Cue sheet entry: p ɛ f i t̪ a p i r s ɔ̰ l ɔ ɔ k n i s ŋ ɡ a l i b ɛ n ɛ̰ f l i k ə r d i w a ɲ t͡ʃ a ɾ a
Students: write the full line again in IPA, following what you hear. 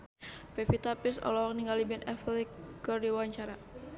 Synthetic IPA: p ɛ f i t̪ a p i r s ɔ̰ l ɔ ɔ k n i ŋ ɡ a l i b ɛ n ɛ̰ f l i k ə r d i w a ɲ t͡ʃ a ɾ a